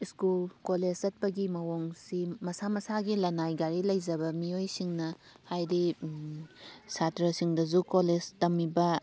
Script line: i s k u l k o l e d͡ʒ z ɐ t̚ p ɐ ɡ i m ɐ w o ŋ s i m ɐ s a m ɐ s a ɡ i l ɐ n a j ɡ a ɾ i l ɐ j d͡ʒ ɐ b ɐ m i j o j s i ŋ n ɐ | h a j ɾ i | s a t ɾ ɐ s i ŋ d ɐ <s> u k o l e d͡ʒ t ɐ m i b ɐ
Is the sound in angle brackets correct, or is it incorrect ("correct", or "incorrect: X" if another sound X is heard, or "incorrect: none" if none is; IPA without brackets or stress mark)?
incorrect: z